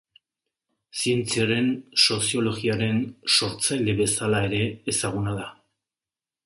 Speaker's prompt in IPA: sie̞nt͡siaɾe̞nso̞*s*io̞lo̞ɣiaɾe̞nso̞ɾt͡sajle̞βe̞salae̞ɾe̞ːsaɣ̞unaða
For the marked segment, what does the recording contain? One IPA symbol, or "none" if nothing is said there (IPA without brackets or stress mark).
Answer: s